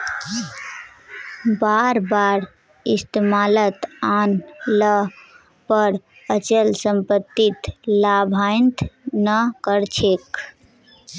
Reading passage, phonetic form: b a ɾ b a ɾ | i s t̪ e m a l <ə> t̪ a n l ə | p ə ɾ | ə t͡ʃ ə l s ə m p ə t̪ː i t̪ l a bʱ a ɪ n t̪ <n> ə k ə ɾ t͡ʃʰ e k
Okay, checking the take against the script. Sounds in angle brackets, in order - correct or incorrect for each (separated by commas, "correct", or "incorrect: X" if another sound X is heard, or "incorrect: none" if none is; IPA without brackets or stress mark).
correct, correct